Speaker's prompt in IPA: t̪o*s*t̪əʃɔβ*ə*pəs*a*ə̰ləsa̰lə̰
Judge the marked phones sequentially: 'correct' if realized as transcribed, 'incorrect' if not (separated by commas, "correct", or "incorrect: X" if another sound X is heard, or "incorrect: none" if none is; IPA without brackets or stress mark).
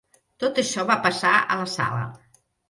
incorrect: none, incorrect: a, correct